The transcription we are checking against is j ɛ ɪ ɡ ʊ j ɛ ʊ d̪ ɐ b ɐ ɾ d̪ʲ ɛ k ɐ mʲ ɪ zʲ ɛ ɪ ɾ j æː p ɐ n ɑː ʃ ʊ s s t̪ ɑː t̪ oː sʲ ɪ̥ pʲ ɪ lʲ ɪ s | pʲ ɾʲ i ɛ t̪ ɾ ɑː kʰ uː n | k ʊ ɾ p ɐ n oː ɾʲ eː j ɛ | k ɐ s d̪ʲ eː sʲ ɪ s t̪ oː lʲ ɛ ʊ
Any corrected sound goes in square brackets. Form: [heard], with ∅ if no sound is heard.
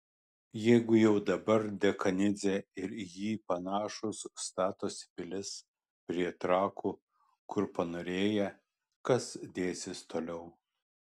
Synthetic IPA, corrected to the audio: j ɛ ɪ ɡ ʊ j ɛ ʊ d̪ ɐ b ɐ ɾ d̪ʲ ɛ k ɐ [nʲ] ɪ zʲ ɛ ɪ ɾ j [iː] p ɐ n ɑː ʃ ʊ s s t̪ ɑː t̪ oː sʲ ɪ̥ pʲ ɪ lʲ ɪ s | pʲ ɾʲ i ɛ t̪ ɾ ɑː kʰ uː [∅] | k ʊ ɾ p ɐ n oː ɾʲ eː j ɛ | k ɐ s d̪ʲ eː sʲ ɪ s t̪ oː lʲ ɛ ʊ